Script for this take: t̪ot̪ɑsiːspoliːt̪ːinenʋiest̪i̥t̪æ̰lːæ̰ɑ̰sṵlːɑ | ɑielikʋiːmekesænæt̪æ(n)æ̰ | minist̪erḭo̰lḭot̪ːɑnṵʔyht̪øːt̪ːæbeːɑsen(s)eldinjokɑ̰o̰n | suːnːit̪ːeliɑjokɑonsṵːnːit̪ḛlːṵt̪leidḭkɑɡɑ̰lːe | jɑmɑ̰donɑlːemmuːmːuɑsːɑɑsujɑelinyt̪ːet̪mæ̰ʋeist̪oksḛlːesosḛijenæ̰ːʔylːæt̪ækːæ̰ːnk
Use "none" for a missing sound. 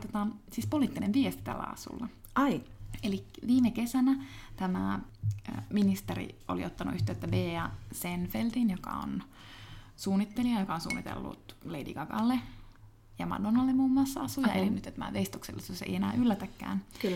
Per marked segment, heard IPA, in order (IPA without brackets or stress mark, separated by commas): m, f